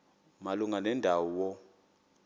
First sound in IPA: m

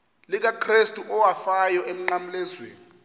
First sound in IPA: l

